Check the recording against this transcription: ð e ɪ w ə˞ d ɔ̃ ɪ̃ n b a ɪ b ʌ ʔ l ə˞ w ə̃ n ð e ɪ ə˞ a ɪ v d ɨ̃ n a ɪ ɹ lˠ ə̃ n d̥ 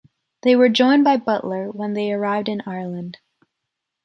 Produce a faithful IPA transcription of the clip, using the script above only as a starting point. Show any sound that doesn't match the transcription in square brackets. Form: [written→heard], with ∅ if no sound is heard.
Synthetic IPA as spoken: ð e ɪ w ə˞ [d→d͡ʒ] ɔ̃ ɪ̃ n b a ɪ b ʌ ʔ l ə˞ w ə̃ n ð e ɪ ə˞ a ɪ v d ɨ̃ n a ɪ ɹ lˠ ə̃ n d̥